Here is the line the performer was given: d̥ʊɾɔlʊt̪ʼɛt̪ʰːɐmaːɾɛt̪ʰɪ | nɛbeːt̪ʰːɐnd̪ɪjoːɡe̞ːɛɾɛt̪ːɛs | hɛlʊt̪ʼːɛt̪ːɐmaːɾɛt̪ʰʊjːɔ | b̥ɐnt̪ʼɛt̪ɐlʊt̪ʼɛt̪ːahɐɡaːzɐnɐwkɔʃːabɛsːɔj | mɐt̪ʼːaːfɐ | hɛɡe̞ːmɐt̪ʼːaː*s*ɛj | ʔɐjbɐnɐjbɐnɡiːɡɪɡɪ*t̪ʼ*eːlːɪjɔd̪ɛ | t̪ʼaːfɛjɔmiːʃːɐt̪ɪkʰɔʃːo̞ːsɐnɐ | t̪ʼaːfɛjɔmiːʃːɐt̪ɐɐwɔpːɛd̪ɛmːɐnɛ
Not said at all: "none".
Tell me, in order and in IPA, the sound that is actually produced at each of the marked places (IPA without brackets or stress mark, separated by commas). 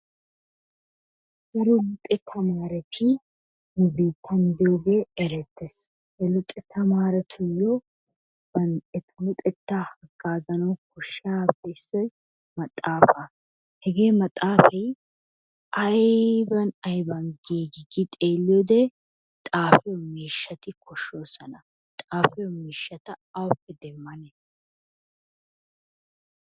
f, t̪ʼ